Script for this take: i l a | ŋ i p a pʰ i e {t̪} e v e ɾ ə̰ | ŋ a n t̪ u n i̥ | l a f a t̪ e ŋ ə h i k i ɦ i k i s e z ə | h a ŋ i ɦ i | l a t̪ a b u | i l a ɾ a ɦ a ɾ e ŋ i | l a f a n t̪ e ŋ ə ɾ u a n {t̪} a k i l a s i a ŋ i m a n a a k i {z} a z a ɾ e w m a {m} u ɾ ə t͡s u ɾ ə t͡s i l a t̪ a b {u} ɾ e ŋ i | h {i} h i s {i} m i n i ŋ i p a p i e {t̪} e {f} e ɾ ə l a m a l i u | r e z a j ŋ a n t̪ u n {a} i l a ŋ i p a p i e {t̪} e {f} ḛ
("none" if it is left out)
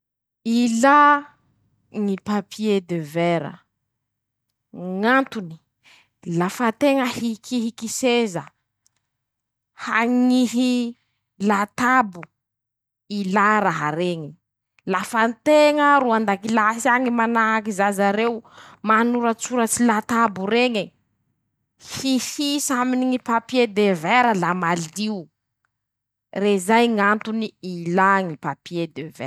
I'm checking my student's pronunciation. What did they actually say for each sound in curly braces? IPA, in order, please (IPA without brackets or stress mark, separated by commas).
d̪, d̪, z, n, u, i, a, d̪, v, i, d̪, v